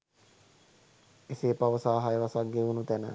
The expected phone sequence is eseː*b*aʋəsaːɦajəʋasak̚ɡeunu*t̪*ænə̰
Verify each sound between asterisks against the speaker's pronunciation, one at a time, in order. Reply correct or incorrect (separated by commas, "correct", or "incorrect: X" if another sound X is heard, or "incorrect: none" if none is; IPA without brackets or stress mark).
incorrect: p, correct